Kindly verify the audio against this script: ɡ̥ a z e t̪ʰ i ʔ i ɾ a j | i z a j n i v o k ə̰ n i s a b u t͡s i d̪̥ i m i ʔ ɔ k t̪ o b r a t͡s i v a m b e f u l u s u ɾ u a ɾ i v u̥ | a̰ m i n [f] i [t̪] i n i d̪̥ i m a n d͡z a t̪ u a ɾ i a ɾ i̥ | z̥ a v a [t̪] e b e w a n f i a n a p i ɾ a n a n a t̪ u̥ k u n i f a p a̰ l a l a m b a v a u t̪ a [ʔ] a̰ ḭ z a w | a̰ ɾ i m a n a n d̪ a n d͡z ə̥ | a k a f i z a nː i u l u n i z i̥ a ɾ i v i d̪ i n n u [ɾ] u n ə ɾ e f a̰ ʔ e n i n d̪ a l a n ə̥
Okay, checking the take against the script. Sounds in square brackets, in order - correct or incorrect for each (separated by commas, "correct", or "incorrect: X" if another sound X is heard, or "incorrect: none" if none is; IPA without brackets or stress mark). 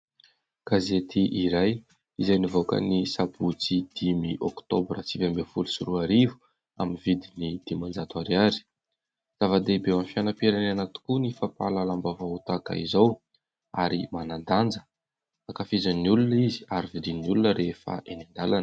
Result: incorrect: v, incorrect: d̪, incorrect: d̪, incorrect: k, incorrect: l